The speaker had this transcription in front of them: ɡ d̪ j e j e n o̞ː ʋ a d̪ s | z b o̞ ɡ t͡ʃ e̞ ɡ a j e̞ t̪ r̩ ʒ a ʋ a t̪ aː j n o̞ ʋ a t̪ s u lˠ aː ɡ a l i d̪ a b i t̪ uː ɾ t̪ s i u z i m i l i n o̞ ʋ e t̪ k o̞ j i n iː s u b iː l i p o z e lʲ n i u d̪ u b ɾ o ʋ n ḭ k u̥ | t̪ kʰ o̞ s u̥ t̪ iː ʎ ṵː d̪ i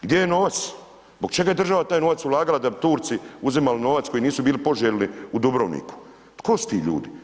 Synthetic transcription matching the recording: ɡ d̪ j e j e n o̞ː ʋ a t̪ s | z b o̞ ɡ t͡ʃ e̞ ɡ a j e̞ d̪ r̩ ʒ a ʋ a t̪ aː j n o̞ ʋ a t̪ s u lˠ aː ɡ a l a d̪ a b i t̪ uː ɾ t̪ s i u z i m a l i n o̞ ʋ a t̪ k o̞ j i n iː s u b iː l i p o ʒ e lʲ n i u d̪ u b ɾ o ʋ n ḭ k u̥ | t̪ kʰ o̞ s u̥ t̪ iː ʎ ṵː d̪ i